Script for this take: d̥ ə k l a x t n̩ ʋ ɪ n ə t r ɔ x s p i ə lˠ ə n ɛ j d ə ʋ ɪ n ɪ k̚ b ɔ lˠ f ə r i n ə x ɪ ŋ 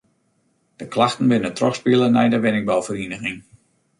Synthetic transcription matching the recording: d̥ ə k l a x t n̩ ʋ ɪ n ə t r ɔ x s p i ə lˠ ə n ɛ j d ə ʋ ɪ n ɪ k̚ b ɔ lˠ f ə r i n ə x ɪ ŋ